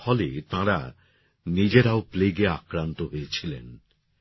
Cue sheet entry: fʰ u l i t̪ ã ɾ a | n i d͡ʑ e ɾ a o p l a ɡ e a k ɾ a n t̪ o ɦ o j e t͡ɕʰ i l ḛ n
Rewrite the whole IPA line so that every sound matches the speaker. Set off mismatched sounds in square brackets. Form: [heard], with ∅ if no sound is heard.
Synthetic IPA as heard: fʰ [ɔ] l [e] t̪ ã ɾ a | n i d͡ʑ e ɾ a o p l [e] ɡ e a k ɾ a n t̪ o ɦ o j e t͡ɕʰ i l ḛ n